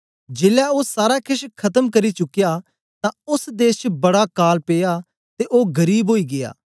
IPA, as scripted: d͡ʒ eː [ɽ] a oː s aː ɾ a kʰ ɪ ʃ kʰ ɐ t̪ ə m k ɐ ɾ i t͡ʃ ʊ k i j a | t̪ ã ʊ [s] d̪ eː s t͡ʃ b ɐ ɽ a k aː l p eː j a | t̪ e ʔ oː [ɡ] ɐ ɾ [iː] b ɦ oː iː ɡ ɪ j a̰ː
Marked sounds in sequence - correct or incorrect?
incorrect, correct, correct, correct

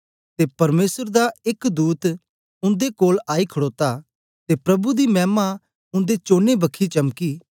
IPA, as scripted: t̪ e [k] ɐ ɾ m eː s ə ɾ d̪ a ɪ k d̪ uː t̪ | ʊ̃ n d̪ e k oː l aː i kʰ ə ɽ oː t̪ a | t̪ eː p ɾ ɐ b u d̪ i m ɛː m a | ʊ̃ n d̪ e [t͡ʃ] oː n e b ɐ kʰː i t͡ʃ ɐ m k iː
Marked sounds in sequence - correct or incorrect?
incorrect, correct

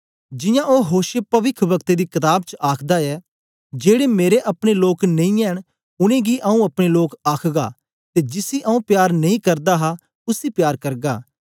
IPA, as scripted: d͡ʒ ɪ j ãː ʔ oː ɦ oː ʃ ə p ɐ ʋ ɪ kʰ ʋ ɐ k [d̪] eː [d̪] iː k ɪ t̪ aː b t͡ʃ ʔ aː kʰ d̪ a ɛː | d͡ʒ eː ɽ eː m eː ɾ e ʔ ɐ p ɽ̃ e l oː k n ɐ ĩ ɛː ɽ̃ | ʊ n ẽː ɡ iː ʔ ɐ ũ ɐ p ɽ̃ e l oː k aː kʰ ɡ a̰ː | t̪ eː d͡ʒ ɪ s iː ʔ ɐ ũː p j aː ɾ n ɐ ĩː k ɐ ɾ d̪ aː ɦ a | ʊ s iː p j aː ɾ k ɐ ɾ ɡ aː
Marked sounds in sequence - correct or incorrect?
incorrect, correct

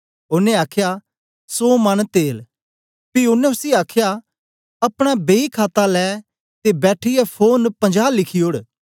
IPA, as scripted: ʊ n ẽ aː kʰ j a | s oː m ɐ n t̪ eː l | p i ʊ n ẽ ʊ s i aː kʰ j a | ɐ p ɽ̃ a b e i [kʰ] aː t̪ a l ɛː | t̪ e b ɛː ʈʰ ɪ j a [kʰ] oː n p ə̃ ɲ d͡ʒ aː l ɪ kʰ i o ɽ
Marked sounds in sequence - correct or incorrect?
correct, incorrect

